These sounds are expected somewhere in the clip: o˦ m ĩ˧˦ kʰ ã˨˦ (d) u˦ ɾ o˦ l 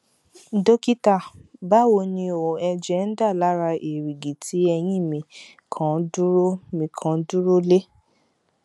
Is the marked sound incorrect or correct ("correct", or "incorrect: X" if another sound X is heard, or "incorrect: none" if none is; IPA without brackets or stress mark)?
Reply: correct